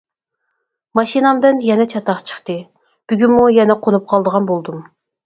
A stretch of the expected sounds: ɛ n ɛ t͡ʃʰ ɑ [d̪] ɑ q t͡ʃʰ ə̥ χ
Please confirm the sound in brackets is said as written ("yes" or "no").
no